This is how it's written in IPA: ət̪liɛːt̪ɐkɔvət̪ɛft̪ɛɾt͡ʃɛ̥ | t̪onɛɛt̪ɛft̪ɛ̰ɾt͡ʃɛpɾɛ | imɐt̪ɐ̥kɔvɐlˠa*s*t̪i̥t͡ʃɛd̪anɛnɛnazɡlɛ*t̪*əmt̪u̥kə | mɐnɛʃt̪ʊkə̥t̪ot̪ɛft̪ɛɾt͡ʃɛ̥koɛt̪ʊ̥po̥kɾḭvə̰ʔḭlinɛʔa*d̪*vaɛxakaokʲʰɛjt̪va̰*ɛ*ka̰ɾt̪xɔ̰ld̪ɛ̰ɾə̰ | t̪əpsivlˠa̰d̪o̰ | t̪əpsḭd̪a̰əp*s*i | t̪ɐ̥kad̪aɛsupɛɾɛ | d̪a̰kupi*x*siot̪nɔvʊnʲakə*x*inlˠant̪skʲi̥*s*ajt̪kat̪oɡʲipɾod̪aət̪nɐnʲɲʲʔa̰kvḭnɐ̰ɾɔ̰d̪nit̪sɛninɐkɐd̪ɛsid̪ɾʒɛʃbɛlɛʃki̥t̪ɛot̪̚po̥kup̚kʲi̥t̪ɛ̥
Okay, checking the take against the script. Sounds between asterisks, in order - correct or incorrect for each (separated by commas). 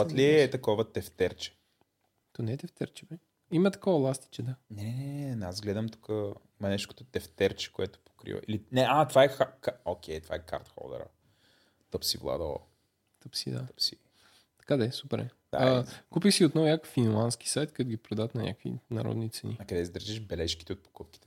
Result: correct, incorrect, incorrect, correct, correct, correct, incorrect, correct